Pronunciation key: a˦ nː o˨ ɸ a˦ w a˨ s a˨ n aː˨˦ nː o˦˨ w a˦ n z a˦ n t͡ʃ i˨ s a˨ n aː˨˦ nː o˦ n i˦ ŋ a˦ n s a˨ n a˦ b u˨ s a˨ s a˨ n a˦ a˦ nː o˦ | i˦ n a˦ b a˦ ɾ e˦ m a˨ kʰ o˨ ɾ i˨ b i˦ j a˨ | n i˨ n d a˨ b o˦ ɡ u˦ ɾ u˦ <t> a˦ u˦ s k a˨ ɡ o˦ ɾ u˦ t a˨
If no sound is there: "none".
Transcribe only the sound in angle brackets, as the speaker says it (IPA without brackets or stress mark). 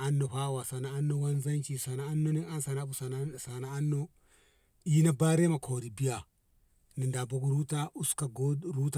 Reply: t